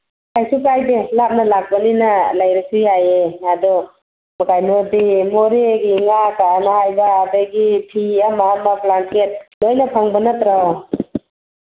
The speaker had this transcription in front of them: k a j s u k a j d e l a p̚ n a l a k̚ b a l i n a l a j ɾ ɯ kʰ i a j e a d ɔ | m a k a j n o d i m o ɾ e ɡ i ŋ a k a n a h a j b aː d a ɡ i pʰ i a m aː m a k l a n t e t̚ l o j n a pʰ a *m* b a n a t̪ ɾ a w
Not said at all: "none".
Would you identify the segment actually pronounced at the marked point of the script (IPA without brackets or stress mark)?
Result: ŋ